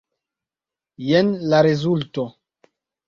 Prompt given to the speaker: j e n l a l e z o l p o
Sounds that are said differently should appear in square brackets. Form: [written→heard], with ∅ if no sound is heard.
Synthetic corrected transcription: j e n l a [l→ɾ] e z [o→u] l [p→t] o